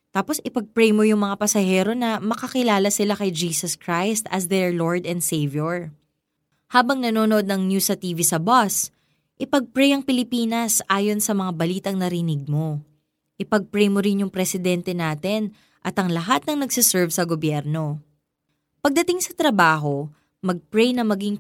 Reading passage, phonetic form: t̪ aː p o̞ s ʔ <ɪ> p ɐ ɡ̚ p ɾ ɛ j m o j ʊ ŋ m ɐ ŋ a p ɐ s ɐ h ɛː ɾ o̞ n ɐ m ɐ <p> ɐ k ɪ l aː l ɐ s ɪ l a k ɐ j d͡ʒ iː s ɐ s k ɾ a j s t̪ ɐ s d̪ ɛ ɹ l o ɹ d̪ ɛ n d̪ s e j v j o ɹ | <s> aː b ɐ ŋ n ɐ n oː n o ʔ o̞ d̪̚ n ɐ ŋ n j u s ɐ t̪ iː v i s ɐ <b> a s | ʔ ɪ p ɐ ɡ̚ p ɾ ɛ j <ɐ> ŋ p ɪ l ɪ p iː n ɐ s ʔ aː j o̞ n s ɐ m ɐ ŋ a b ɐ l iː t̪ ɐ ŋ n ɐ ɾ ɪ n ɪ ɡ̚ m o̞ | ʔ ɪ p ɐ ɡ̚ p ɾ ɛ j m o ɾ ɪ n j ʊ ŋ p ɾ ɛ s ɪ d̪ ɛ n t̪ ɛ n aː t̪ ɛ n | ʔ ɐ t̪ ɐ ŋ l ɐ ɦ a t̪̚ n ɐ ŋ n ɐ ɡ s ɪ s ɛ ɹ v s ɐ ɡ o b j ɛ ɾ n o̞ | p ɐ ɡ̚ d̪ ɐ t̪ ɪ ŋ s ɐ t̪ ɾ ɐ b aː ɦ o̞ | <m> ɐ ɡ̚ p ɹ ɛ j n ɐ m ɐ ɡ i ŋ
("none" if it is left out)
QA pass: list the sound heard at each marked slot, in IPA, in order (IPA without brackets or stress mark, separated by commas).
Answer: ɪ, k, h, b, ɐ, m